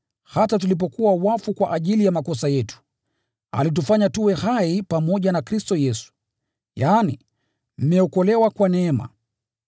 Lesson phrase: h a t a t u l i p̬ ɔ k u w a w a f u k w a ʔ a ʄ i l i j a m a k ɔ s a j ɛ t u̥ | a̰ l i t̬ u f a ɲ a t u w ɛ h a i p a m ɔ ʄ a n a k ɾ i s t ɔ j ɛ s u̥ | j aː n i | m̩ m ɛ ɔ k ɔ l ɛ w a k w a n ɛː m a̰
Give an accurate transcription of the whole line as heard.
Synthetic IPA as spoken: h a t a t u l i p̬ ɔ k u w a w a f u k w a ʔ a ʄ i l i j a m a k ɔ s a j ɛ t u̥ | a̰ l i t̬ u f a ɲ a t u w ɛ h a i p a m ɔ ʄ a n a k ɾ i s t ɔ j ɛ s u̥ | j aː n i | m̩ m ɛ ɔ k ɔ l ɛ w a k w a n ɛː m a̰